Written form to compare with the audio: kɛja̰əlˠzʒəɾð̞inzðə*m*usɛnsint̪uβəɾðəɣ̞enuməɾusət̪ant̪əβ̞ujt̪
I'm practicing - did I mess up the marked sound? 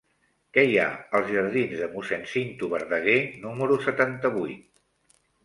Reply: no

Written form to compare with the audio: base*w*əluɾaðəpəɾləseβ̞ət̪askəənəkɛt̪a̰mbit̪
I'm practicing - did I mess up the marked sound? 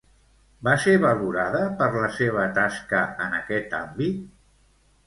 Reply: yes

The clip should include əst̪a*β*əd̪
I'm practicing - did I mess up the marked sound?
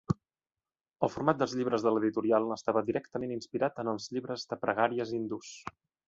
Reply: no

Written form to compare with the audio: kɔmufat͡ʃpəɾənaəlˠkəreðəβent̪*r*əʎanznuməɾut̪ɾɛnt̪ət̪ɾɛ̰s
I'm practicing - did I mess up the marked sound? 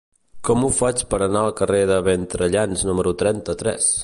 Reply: yes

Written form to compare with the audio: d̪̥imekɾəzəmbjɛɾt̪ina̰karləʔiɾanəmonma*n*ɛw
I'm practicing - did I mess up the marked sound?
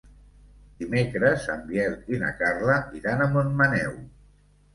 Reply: no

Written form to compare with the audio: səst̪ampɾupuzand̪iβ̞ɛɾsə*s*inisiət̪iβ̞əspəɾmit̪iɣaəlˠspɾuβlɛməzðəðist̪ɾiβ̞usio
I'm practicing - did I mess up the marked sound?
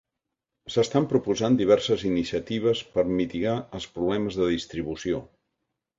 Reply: yes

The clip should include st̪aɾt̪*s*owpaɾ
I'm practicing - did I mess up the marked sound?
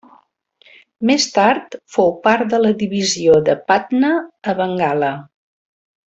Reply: yes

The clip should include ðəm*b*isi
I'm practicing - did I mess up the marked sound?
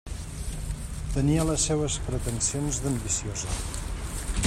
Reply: no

